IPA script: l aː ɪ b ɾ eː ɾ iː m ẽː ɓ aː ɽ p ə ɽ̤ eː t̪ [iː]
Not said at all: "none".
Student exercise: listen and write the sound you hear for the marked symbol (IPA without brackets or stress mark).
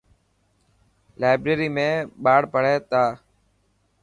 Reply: aː